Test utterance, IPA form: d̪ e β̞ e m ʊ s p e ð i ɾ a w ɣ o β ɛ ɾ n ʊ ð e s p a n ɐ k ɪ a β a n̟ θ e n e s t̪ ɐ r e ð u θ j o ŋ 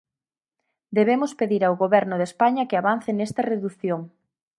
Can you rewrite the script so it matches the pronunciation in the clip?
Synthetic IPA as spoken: d̪ e β̞ e m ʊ s p e ð i ɾ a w ɣ o β ɛ ɾ n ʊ ð e s p a ɲ ɐ k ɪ a β a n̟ θ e n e s t̪ ɐ r e ð u θ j o ŋ